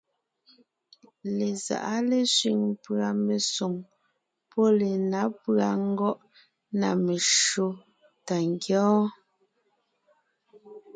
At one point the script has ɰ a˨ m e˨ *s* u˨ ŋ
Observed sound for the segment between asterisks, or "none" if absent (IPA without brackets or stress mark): s